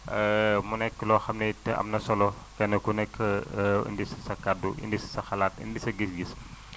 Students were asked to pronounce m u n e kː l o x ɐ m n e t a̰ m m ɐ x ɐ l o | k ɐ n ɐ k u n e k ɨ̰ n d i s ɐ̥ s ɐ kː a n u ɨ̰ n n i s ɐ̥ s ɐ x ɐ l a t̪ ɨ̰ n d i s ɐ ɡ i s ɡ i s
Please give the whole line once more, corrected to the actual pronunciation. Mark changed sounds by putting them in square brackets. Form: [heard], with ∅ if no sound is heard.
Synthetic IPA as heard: m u n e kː l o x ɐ m n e t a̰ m [n] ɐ [s] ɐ l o | k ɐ n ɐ k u n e k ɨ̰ n d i s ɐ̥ s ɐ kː a [d] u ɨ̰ n [d] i s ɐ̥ s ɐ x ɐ l a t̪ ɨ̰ n d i s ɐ ɡ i s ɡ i s